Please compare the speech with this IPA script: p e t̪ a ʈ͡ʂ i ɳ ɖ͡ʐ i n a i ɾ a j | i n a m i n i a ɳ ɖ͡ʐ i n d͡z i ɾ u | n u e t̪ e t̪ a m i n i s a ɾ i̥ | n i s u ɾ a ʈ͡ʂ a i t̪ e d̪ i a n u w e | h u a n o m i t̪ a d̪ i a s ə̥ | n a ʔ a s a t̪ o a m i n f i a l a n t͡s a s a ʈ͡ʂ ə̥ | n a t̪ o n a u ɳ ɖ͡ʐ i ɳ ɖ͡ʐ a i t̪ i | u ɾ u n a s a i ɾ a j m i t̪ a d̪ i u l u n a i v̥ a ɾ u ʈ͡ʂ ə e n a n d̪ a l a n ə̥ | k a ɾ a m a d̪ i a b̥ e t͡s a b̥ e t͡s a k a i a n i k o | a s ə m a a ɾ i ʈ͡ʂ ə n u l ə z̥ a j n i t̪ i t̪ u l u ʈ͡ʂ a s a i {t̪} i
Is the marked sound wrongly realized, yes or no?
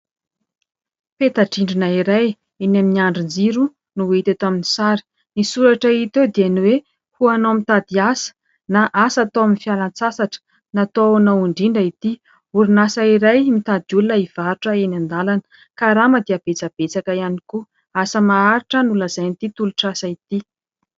no